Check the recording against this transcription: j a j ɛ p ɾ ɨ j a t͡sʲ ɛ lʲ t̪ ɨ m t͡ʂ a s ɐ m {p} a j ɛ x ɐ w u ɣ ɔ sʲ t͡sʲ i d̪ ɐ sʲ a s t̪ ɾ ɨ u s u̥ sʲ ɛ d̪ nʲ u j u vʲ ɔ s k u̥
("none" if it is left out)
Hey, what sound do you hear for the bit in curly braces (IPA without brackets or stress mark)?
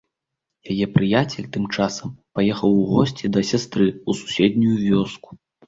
p